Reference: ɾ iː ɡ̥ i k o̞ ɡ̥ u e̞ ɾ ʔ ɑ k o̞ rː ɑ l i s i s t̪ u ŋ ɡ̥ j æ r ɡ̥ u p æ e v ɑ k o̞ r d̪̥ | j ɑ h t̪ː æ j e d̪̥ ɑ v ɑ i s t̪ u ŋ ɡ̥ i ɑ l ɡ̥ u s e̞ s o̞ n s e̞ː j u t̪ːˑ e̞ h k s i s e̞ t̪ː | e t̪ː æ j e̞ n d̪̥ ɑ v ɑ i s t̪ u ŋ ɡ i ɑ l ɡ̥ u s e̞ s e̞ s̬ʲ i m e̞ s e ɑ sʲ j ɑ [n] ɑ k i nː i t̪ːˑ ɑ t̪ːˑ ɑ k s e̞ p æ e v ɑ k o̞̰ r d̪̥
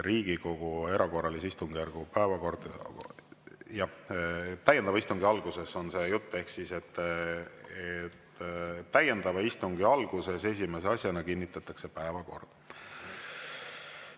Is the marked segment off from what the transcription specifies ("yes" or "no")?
no